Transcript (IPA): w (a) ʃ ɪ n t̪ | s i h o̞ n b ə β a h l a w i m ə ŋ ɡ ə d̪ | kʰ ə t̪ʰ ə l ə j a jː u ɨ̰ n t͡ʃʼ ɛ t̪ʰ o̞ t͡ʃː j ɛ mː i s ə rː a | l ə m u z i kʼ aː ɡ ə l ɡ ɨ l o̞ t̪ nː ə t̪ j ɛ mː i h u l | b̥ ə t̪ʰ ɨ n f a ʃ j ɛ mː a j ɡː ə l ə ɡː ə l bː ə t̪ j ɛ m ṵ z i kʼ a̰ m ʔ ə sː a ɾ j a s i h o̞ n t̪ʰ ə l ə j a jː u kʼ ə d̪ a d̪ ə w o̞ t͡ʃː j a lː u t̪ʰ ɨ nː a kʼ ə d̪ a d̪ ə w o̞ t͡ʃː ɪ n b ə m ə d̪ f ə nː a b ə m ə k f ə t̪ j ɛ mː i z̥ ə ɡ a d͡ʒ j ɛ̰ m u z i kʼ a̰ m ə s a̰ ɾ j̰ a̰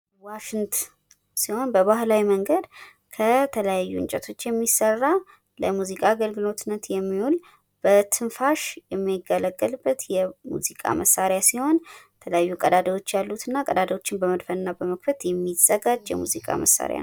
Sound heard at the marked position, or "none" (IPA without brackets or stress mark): a